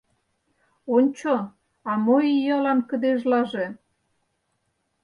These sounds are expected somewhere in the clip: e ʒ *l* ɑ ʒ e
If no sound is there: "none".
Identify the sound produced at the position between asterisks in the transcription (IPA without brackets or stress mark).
l